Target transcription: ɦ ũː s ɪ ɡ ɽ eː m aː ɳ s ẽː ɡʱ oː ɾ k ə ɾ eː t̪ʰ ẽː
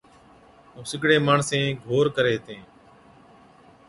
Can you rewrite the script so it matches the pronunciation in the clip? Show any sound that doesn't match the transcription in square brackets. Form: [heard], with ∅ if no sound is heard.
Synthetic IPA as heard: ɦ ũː s ɪ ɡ ɽ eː m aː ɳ s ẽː ɡʱ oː ɾ k ə ɾ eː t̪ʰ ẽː